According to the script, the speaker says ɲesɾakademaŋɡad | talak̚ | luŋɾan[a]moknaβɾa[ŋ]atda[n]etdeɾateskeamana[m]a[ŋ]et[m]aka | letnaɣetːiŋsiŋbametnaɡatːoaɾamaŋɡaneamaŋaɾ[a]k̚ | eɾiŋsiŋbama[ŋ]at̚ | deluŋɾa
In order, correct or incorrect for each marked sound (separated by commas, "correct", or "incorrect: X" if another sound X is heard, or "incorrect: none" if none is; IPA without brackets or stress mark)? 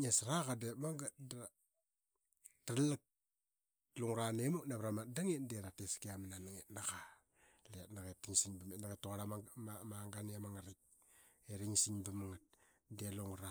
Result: incorrect: e, incorrect: m, incorrect: ŋ, incorrect: n, correct, incorrect: n, incorrect: i, correct